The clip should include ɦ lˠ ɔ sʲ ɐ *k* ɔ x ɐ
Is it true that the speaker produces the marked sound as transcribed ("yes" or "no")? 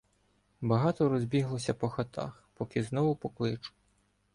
no